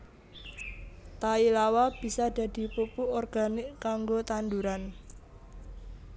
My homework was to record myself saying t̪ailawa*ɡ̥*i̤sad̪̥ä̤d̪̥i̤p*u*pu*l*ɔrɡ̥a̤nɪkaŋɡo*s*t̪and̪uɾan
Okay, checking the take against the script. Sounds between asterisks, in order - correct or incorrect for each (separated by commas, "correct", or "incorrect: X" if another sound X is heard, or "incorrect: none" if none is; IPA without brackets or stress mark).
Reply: incorrect: b̥, correct, incorrect: none, incorrect: none